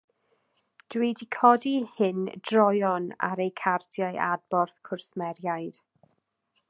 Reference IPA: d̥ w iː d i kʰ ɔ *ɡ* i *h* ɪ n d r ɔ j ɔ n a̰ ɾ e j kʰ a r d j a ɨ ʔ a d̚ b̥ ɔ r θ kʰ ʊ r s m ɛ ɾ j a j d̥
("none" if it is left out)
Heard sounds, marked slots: d, h

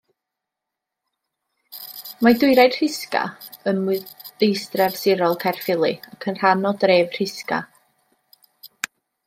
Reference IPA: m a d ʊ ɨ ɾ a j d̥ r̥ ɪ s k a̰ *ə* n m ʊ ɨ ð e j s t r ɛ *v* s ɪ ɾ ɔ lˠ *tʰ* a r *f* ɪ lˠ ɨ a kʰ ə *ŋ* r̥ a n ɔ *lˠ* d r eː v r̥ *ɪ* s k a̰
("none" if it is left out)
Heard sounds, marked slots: ə, v, kʰ, f, n, none, ɪ

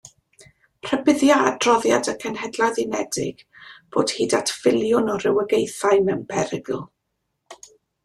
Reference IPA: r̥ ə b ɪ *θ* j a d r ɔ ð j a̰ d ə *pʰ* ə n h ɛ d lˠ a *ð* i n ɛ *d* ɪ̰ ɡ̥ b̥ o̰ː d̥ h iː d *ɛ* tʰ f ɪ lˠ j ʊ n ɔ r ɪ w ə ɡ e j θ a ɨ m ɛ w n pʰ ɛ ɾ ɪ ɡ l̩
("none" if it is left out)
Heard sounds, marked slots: ð, kʰ, ð, d, a

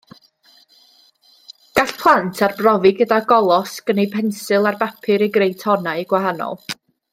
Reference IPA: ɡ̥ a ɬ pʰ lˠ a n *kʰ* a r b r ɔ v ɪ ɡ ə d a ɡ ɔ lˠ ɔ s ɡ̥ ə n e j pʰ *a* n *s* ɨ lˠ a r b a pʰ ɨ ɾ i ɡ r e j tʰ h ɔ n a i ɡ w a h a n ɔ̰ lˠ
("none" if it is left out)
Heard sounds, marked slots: tʰ, ɛ, s

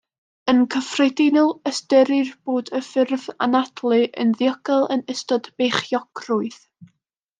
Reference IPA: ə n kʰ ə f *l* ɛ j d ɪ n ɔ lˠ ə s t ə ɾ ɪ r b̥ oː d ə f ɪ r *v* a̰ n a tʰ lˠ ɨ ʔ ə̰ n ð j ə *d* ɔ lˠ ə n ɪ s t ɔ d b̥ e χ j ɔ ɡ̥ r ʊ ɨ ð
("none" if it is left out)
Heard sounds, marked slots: r, v, ɡ

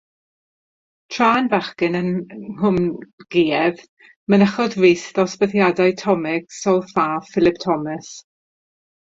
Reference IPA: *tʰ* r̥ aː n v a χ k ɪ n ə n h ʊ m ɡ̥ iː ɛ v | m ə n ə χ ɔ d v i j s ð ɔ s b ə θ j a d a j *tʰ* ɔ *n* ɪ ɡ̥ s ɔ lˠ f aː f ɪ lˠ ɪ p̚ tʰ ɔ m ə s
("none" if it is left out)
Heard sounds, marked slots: tʰ, tʰ, m

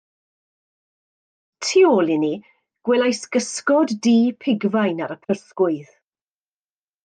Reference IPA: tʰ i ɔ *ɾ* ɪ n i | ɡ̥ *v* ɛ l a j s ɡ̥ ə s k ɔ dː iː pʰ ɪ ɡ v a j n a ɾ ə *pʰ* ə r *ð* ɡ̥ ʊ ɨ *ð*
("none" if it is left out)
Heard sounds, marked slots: l, w, pʰ, θ, ð

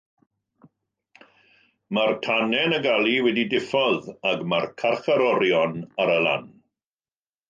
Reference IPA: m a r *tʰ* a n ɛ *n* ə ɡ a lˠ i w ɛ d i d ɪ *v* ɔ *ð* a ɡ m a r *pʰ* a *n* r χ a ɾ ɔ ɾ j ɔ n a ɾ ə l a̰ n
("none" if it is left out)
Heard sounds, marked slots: tʰ, n, f, ð, kʰ, none

